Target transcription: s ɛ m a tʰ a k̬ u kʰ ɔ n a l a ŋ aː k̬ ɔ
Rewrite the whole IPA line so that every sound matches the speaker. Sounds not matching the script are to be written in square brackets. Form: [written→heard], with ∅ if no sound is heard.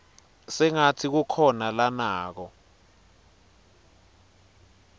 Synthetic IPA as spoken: s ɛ [m→ŋ] a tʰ [a→i] k̬ u kʰ ɔ n a l a [ŋ→n] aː k̬ ɔ